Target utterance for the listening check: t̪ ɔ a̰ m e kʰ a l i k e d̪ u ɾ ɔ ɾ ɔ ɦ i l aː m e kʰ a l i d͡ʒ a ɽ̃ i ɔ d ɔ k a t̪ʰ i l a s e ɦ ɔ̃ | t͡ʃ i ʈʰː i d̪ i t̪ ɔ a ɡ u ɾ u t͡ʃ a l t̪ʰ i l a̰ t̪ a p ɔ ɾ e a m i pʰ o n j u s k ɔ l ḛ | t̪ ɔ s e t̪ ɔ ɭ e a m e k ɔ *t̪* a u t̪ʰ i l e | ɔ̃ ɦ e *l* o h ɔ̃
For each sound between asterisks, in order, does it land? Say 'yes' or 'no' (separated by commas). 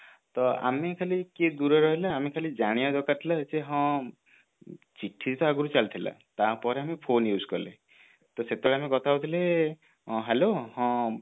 no, yes